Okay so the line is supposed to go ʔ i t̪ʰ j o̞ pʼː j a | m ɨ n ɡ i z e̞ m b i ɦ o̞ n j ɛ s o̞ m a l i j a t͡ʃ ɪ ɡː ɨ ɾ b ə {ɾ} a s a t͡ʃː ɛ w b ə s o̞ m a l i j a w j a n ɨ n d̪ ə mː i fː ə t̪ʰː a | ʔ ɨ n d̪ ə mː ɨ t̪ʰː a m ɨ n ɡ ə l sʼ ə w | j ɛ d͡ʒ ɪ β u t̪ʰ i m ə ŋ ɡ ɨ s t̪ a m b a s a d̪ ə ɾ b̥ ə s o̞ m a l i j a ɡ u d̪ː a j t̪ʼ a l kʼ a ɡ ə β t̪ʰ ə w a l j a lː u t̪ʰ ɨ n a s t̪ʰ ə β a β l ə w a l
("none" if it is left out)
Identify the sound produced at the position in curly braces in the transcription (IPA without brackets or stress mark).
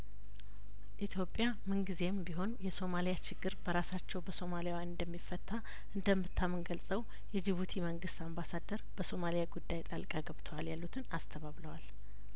ɾ